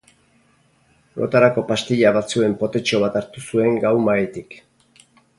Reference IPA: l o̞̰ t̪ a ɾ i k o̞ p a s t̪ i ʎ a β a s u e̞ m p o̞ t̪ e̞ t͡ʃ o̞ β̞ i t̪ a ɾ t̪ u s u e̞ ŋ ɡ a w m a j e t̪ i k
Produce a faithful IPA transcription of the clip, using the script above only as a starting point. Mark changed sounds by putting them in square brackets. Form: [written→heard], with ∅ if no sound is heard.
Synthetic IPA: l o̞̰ t̪ a ɾ [i→a] k o̞ p a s t̪ i ʎ a β a [s→t͡s] u e̞ m p o̞ t̪ e̞ t͡ʃ o̞ β̞ [i→a] t̪ a ɾ t̪ u s u e̞ ŋ ɡ a w m a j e t̪ i k